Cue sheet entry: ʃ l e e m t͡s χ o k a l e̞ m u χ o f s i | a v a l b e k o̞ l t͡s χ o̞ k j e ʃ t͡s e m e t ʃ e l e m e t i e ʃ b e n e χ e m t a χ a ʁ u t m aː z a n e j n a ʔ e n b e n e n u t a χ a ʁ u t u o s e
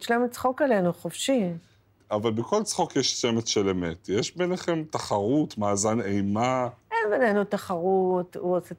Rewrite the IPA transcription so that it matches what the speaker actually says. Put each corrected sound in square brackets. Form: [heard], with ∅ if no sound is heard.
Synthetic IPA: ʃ l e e m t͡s χ o k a l e̞ [n] u χ o f [ʃ] i | a v a l b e k o̞ l t͡s χ o̞ k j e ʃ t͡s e m e t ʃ e l e m e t [j] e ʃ b e n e χ e m t a χ a ʁ u t m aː z a n e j [m] a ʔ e n b e n e n u t a χ a ʁ u t u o s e